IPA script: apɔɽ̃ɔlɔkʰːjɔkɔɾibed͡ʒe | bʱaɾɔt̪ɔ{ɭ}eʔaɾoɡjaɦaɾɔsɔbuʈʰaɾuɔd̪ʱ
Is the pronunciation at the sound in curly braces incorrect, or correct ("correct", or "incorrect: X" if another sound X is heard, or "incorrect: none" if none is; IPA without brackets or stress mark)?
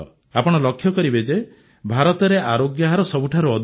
incorrect: ɾ